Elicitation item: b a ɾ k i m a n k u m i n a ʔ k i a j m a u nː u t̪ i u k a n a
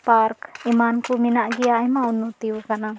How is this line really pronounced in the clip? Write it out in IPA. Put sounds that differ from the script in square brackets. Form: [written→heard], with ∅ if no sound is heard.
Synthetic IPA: [b→p] a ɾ k i m a n k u m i n a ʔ [k→ɡ] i a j m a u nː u t̪ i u k a n a